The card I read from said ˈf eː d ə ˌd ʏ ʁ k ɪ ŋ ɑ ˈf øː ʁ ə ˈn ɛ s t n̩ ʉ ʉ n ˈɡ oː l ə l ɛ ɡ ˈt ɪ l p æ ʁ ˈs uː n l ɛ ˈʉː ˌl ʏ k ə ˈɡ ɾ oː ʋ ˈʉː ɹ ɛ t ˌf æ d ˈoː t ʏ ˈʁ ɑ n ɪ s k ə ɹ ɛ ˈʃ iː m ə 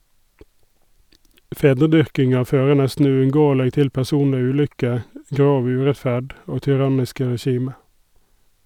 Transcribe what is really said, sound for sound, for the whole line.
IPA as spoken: ˈf eː d ə ˌd ʏ ʁ k ɪ ŋ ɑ ˈf øː ʁ ə ˈn ɛ s t n̩ ʉ ʉ n ˈɡ oː ə l ɛ ɡ ˈt ɪ l p æ ʁ ˈs uː n l ɛ ˈʉː ˌl ʏ k ə ˈɡ ɾ oː ʋ ˈʉː ɹ ɛ t ˌf æ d ˈoː t ʏ ˈʁ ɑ n ɪ s k ə ɹ ɛ ˈʃ iː m ə